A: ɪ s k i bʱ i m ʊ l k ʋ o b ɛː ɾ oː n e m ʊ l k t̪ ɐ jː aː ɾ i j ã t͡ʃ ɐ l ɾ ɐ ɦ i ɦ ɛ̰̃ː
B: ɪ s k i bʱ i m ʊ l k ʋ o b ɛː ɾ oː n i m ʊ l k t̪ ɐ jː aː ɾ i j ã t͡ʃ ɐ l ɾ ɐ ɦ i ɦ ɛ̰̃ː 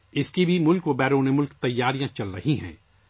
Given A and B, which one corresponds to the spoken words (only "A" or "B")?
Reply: A